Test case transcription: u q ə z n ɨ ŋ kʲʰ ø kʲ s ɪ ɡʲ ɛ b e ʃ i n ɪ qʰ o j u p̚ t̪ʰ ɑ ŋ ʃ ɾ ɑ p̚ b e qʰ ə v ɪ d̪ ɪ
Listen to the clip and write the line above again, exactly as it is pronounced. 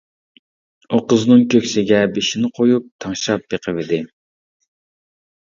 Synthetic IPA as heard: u q ə z n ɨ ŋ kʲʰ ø kʲ s ɪ ɡʲ ɛ b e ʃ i n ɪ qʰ o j u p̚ t̪ʰ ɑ ŋ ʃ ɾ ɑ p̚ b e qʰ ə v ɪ d̪ ɪ